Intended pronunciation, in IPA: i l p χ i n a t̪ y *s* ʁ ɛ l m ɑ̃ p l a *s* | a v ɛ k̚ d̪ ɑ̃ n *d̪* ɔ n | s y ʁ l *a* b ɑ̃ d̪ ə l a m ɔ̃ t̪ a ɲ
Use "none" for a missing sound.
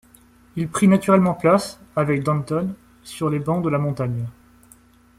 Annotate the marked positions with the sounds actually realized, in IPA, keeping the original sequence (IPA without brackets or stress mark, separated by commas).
none, s, t̪, e